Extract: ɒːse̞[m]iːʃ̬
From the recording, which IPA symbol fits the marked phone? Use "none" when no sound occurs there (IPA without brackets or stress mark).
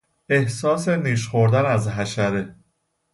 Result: n